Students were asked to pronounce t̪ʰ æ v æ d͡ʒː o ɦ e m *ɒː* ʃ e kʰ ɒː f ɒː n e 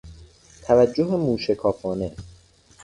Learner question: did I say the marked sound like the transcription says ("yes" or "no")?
no